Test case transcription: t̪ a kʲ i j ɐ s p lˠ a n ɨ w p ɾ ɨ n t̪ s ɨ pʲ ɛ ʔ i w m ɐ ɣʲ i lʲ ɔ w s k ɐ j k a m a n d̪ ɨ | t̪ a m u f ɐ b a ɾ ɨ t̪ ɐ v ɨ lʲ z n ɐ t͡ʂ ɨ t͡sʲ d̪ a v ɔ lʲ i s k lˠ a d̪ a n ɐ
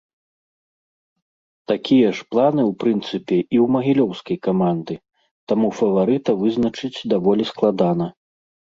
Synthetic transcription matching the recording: t̪ a kʲ i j ɐ ʂ p lˠ a n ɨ w p ɾ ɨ n t̪ s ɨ pʲ ɛ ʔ i w m ɐ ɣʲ i lʲ ɔ w s k ɐ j k a m a n d̪ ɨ | t̪ a m u f ɐ v a ɾ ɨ t̪ ɐ v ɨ z n ɐ t͡ʂ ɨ t͡sʲ d̪ a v ɔ lʲ i s k lˠ a d̪ a n ɐ

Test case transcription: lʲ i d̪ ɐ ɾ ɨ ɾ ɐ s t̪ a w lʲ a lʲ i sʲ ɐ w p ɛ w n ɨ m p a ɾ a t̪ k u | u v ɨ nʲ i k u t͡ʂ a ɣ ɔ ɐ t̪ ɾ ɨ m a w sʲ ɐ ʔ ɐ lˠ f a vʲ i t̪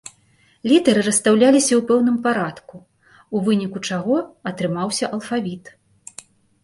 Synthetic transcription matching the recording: lʲ i t̪ ɐ ɾ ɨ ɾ ɐ s t̪ a w lʲ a lʲ i sʲ ɐ w p ɛ w n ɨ m p a ɾ a t̪ k u | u v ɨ nʲ i k u t͡ʂ a ɣ ɔ ɐ t̪ ɾ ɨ m a w sʲ ɐ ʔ ɐ lˠ f a vʲ i t̪

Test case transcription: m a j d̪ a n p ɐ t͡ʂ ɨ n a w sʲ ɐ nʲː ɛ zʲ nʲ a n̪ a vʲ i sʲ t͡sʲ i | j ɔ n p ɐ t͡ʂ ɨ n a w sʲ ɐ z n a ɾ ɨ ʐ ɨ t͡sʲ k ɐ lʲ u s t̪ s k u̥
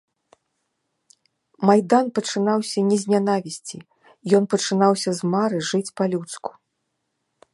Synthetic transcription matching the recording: m a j d̪ a n p ɐ t͡ʂ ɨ n a w sʲ ɐ nʲ ɛ zʲ nʲ a n̪ a vʲ i sʲ t͡sʲ i | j ɔ n p ɐ t͡ʂ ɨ n a w sʲ ɐ z m a ɾ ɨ ʐ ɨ t͡sʲ p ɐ lʲ u t̪ s k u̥

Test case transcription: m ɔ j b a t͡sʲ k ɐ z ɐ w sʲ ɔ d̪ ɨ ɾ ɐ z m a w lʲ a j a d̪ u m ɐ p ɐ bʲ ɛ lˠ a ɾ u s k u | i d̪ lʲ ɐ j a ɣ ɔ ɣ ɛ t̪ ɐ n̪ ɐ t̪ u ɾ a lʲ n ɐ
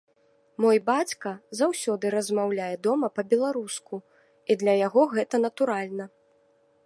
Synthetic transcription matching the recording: m ɔ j b a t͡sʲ k ɐ z a w sʲ ɔ d̪ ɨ ɾ ɐ z m a w lʲ a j ɛ d̪ ɔ m ɐ p ɐ bʲ ɛ lˠ a ɾ u s k u | i d̪ lʲ ɐ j a ɣ ɔ ɣ ɛ t̪ ɐ n̪ ɐ t̪ u ɾ a lʲ n ɐ

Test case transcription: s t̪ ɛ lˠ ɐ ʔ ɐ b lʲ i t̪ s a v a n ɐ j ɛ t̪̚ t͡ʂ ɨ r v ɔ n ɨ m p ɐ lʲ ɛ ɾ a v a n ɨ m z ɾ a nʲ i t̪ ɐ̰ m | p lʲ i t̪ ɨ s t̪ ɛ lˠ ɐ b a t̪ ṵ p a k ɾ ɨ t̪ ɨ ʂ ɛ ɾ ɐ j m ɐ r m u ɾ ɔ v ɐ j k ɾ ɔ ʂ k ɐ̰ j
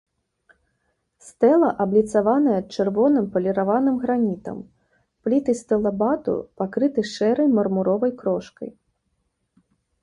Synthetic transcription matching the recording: s t̪ ɛ lˠ ɐ ʔ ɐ b lʲ i t̪ s a v a n ɐ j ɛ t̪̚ t͡ʂ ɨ r v ɔ n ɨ m p ɐ lʲ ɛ ɾ a v a n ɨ m ɣ ɾ a nʲ i t̪ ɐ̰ m | p lʲ i t̪ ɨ s t̪ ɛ lˠ ɐ b a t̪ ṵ p a k ɾ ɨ t̪ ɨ ʂ ɛ ɾ ɐ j m ɐ r m u ɾ ɔ v ɐ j k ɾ ɔ ʂ k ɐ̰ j

